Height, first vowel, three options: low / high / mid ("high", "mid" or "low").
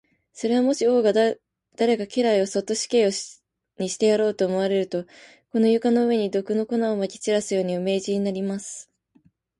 mid